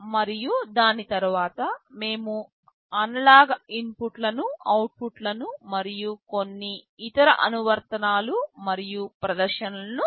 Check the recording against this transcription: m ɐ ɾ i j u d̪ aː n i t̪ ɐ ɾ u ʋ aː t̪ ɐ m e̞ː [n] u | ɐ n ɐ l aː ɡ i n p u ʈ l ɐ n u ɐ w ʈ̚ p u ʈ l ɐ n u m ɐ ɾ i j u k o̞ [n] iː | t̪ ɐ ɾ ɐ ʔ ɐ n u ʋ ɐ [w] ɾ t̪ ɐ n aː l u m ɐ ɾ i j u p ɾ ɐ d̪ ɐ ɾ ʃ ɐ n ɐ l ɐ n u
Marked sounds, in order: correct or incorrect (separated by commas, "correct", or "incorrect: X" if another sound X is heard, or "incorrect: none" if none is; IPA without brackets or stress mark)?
incorrect: m, incorrect: nː, incorrect: none